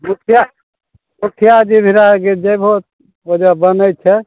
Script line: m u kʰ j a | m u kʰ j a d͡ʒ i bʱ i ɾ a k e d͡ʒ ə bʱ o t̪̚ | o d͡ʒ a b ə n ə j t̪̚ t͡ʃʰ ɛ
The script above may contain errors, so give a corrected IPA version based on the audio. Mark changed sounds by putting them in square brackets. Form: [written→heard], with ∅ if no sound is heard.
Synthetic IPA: m u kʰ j a | m u kʰ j a d͡ʒ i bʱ i ɾ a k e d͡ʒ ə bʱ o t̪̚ | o d͡ʒ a b ə n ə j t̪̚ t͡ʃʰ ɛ